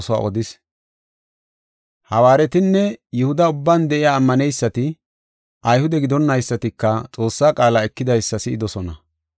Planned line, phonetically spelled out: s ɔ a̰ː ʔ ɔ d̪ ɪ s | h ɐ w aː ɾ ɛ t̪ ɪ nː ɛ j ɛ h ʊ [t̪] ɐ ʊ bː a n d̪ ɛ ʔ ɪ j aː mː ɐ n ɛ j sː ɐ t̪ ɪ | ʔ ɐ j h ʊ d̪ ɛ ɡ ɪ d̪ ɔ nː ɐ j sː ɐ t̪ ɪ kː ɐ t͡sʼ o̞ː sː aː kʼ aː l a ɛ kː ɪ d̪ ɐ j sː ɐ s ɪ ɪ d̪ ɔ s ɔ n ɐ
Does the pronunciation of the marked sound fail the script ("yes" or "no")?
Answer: yes